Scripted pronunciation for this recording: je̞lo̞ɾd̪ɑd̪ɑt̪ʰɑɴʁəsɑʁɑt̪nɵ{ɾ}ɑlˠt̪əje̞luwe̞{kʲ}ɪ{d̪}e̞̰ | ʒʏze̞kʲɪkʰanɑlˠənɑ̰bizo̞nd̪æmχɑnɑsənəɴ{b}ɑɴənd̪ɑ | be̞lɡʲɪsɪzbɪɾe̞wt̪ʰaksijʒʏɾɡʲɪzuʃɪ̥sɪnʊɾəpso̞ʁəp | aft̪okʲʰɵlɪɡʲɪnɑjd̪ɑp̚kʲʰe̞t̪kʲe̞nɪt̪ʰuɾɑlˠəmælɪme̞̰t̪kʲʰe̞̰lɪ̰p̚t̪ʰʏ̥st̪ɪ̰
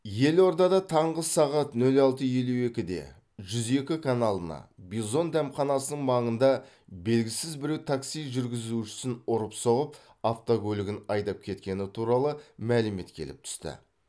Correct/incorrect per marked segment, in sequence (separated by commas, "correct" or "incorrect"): incorrect, correct, correct, incorrect